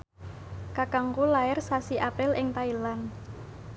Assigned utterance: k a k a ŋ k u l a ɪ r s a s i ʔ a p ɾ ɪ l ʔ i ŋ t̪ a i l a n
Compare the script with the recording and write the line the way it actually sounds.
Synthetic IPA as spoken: k a k a ŋ k u l a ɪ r s a s i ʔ a p ɾ ɪ l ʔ ɪ ŋ t̪ a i l a n